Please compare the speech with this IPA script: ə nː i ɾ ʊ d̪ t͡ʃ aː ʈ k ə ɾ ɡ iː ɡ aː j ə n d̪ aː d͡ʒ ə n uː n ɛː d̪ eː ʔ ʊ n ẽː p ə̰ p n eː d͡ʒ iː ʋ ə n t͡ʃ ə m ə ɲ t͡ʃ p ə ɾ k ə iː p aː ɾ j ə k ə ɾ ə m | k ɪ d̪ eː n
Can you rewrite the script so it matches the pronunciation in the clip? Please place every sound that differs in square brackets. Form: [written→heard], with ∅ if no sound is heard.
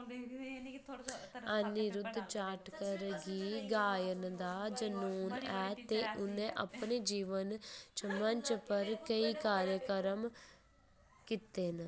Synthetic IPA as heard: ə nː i ɾ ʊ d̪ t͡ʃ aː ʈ k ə ɾ ɡ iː ɡ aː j ə n d̪ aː d͡ʒ ə n uː n ɛː [d̪→t̪] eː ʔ ʊ n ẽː [p→ʔ] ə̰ p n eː d͡ʒ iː ʋ ə n t͡ʃ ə m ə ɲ t͡ʃ p ə ɾ k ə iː [p→k] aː ɾ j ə k ə ɾ ə m | k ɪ [d̪→t̪] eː n